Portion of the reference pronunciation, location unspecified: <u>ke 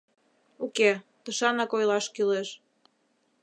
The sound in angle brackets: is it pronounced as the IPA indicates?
yes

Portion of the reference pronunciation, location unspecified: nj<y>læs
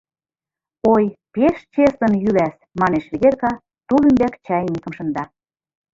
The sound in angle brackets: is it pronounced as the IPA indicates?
yes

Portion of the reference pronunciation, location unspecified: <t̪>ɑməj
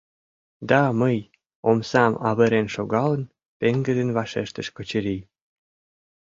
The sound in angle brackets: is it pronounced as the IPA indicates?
no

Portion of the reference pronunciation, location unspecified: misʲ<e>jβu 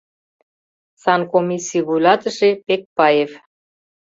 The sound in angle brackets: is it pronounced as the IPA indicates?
no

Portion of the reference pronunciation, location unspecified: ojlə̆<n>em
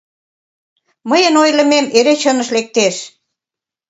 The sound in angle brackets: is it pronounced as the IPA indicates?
no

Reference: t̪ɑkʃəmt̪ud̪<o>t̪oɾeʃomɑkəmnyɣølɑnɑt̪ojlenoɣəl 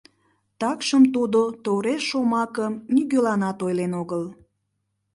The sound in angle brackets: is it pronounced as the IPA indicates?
yes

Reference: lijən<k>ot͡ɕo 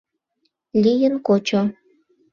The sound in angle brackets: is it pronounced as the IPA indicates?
yes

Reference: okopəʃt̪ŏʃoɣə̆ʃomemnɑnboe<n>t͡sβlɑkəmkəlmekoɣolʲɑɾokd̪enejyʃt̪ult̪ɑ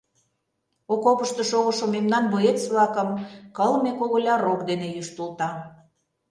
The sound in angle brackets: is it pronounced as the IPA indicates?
no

